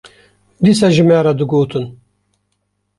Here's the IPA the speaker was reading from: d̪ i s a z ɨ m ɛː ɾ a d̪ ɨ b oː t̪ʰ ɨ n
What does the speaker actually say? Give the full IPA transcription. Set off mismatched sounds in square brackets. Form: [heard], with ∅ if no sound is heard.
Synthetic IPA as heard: d̪ i s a [ʒ] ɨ m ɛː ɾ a d̪ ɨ [ɡ] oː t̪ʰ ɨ n